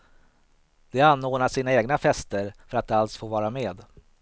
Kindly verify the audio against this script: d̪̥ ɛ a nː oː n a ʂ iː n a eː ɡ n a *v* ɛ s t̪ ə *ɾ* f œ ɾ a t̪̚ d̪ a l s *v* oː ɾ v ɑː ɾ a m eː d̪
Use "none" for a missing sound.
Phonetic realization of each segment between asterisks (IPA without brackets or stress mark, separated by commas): f, ɾ, f